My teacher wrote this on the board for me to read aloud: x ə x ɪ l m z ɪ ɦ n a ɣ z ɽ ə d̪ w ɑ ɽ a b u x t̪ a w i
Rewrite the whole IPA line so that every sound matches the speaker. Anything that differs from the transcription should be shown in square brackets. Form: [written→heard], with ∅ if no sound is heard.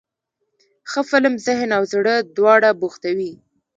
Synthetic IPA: x ə [x→f] ɪ l m z ɪ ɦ n a [ɣ→w] z ɽ ə d̪ w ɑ ɽ a b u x t̪ a w i